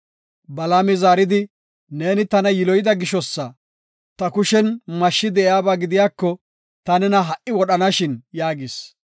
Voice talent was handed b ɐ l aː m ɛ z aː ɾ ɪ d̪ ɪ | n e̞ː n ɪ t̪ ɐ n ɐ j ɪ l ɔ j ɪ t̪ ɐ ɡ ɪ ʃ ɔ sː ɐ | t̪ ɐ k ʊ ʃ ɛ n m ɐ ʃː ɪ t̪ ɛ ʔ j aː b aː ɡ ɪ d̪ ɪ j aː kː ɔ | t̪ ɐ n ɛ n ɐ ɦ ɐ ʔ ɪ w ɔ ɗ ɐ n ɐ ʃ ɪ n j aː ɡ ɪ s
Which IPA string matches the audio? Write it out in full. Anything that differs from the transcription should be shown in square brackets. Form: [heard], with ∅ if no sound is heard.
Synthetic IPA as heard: b ɐ l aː m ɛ z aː ɾ ɪ d̪ ɪ | n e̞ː n ɪ t̪ ɐ n ɐ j ɪ l ɔ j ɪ [d̪] ɐ ɡ ɪ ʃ ɔ sː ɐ | t̪ ɐ k ʊ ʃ ɛ n m ɐ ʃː ɪ [d̪] ɛ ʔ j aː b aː ɡ ɪ d̪ ɪ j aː kː ɔ | t̪ ɐ n ɛ n ɐ ɦ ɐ ʔ ɪ w ɔ ɗ ɐ n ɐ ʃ ɪ n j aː ɡ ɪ s